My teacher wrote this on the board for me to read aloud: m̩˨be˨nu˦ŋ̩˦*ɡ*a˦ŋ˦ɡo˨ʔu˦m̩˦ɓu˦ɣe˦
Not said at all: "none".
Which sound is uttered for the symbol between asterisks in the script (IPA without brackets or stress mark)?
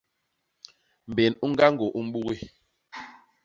ɡ